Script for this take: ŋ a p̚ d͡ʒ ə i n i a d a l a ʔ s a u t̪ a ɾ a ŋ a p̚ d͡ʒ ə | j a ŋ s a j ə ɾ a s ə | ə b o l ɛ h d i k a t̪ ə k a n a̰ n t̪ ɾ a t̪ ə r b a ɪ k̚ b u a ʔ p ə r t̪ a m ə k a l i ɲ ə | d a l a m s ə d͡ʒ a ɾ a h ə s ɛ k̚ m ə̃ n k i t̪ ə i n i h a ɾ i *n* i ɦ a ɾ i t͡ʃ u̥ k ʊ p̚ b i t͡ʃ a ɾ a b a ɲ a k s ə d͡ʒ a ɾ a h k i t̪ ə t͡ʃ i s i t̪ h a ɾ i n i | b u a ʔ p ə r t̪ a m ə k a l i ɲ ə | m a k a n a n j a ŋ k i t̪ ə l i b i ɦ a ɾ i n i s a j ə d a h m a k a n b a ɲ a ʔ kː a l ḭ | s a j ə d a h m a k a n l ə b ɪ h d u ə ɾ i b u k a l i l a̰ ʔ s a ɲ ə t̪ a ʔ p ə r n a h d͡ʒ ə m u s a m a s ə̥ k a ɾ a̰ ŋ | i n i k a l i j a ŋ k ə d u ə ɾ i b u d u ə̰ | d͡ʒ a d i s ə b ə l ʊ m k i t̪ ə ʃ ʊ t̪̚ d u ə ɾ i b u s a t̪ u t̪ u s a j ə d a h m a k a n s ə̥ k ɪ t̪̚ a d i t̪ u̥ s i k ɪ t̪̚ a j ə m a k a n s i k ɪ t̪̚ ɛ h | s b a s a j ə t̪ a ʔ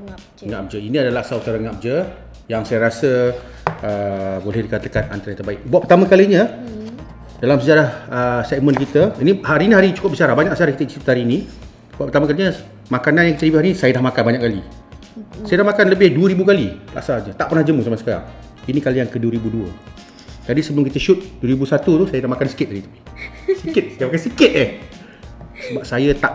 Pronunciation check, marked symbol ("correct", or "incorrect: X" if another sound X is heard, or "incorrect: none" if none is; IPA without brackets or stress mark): correct